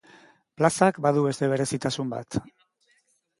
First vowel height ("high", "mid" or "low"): low